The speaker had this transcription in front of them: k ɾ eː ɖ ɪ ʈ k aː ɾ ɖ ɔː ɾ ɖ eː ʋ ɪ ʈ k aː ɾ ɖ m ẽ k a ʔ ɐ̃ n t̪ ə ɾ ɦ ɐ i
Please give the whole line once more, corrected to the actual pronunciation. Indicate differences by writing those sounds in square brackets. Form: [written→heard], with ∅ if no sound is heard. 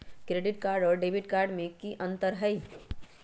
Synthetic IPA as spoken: k ɾ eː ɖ ɪ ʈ k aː ɾ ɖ ɔː ɾ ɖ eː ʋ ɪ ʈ k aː ɾ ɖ m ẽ k [a→i] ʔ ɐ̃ n t̪ ə ɾ ɦ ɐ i